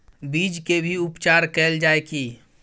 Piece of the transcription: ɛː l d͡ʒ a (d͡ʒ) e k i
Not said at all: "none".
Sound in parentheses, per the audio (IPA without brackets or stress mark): none